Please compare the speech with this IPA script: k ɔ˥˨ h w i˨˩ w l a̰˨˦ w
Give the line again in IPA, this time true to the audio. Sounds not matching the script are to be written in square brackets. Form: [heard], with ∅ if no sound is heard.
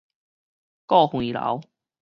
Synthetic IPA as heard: k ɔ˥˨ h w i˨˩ [∅] l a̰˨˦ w